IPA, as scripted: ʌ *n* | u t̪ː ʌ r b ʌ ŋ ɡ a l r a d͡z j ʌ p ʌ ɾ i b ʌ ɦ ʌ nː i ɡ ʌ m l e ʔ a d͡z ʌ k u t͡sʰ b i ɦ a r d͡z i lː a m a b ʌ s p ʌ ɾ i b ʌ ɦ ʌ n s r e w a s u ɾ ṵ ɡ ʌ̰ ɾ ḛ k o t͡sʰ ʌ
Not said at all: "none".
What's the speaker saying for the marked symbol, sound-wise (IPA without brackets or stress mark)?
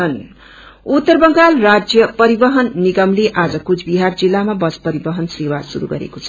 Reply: n